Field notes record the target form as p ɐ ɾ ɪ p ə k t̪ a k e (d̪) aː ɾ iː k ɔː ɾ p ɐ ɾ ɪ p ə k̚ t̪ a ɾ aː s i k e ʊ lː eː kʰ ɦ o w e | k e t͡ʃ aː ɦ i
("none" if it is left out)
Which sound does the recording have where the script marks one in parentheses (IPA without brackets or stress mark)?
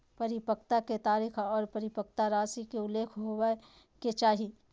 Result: t̪